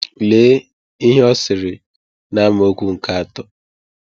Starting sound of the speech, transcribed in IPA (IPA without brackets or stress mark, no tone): l